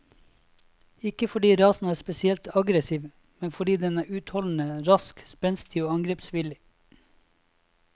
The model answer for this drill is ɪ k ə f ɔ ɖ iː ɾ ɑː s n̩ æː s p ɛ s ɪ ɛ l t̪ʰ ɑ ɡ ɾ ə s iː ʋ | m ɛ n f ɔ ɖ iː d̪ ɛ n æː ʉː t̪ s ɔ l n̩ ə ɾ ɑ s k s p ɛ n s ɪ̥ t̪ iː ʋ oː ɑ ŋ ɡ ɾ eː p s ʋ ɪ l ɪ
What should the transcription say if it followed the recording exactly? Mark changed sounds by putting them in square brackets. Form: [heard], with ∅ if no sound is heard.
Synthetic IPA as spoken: ɪ k ə f ɔ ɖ iː ɾ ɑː s n̩ æː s p ɛ s ɪ ɛ l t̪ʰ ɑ ɡ ɾ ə s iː ʋ | m ɛ n f ɔ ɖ iː d̪ ɛ n æː ʉː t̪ [h] ɔ l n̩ ə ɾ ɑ s k s p ɛ n s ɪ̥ [t̪ʰ] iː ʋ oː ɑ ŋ ɡ ɾ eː p s ʋ ɪ l ɪ